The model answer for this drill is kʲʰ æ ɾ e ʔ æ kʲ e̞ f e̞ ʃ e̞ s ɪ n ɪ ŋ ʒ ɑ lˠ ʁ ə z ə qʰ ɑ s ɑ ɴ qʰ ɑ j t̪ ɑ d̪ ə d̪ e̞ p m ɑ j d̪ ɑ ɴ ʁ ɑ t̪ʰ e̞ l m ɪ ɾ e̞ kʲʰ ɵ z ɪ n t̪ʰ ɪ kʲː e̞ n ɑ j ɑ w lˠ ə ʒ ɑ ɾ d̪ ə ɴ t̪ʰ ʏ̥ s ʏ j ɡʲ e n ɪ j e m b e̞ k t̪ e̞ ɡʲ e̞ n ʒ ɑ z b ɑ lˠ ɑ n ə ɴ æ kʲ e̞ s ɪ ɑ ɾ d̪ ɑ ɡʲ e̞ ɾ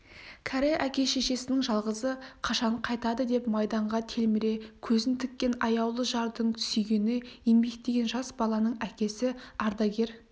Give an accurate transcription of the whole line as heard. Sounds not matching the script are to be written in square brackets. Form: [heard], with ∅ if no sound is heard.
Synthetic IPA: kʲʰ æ ɾ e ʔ æ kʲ e̞ [ʃ] e̞ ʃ e̞ s ɪ n ɪ ŋ ʒ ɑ lˠ ʁ ə z ə qʰ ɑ [ʃ] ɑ ɴ qʰ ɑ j t̪ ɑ d̪ ə d̪ e̞ p m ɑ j d̪ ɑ ɴ ʁ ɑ t̪ʰ e̞ l m ɪ ɾ e̞ kʲʰ ɵ z ɪ n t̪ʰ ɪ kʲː e̞ n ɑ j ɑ w lˠ ə ʒ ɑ ɾ d̪ ə ɴ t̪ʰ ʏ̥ s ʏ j ɡʲ e n ɪ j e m b e̞ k t̪ e̞ ɡʲ e̞ n ʒ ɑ [s] b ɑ lˠ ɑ n ə ɴ æ kʲ e̞ s ɪ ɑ ɾ d̪ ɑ ɡʲ e̞ ɾ